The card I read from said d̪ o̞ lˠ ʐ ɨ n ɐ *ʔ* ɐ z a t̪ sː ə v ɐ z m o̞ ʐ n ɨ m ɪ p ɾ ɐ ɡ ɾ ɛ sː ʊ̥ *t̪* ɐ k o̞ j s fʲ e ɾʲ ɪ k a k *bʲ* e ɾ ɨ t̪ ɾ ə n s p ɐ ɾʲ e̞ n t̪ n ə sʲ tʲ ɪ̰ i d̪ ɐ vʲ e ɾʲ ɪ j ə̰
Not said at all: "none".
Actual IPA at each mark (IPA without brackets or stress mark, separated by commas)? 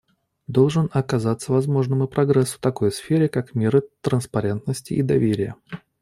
k, t̪, mʲ